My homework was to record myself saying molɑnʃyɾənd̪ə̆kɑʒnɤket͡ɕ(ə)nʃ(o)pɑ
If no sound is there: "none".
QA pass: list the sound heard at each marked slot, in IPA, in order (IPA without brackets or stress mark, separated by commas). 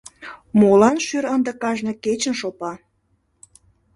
ə, o